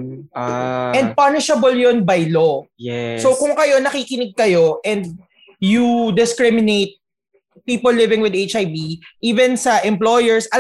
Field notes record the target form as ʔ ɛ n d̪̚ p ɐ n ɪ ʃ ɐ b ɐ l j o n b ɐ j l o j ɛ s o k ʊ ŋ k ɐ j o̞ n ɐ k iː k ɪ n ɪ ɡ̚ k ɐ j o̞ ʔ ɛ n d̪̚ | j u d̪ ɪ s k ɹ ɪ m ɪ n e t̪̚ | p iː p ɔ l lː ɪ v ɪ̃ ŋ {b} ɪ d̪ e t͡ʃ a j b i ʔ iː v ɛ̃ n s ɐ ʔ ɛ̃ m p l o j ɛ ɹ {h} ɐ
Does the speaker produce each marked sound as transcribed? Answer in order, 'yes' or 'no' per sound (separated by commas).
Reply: no, no